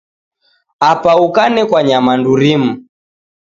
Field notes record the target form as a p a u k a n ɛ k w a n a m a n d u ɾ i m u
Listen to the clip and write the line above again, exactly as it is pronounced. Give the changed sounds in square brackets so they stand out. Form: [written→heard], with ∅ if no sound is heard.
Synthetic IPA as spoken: a p a u k a n ɛ k w a [n→ɲ] a m a n d u ɾ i m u